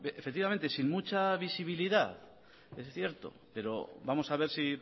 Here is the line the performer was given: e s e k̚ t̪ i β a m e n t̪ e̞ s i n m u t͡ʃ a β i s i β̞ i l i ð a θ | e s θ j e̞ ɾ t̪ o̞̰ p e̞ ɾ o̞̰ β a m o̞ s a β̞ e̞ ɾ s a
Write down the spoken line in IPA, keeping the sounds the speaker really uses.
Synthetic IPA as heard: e f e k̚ t̪ i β a m e n t̪ e̞ s i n m u t͡ʃ a β i s i β̞ i l i ð a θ | e s θ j e̞ ɾ t̪ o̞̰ p e̞ ɾ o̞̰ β a m o̞ s a β̞ e̞ ɾ s i